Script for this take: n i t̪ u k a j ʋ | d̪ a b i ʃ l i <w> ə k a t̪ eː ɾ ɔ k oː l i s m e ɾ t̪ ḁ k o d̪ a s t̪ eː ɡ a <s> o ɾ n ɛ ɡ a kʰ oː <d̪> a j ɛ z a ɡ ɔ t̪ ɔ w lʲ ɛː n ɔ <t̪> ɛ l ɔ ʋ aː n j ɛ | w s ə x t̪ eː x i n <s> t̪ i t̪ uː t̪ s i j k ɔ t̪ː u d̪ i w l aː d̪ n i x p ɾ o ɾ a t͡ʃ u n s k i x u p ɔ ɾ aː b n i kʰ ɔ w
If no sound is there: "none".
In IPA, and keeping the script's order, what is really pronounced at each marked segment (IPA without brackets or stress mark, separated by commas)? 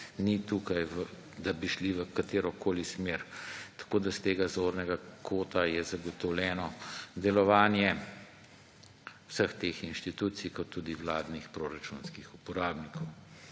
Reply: ʋ, z, t̪, d̪, ʃ